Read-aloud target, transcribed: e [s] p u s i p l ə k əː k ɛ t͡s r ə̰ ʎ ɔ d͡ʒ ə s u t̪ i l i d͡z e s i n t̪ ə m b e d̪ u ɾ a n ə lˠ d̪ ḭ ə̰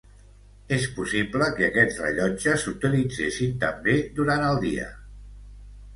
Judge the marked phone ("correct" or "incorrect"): correct